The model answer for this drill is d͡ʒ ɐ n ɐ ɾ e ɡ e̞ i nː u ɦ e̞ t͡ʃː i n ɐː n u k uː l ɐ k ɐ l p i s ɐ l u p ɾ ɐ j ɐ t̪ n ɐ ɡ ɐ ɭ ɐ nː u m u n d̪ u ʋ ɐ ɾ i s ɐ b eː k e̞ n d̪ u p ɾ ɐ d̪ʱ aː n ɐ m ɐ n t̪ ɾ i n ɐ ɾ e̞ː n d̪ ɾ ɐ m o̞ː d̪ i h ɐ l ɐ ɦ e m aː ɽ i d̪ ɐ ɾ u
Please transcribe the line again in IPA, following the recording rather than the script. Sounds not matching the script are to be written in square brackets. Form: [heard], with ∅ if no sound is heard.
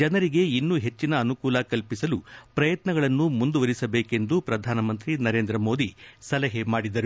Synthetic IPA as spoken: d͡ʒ ɐ n ɐ ɾ [i] ɡ e̞ i nː u ɦ e̞ t͡ʃː i n ɐː n u k uː l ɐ k ɐ l p i s ɐ l u p ɾ ɐ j ɐ t̪ n ɐ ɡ ɐ ɭ ɐ nː u m u n d̪ u ʋ ɐ ɾ i s ɐ b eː k e̞ n d̪ u p ɾ ɐ d̪ʱ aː n ɐ m ɐ n t̪ ɾ i n ɐ ɾ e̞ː n d̪ ɾ ɐ m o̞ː d̪ i [s] ɐ l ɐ ɦ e m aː ɽ i d̪ ɐ ɾ u